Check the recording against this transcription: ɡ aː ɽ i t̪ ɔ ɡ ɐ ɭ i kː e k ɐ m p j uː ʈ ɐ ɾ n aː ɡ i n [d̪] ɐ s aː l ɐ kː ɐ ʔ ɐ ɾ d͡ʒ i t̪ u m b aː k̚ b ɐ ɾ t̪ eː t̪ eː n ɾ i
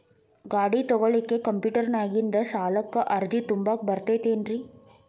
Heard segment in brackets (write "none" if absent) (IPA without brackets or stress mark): d̪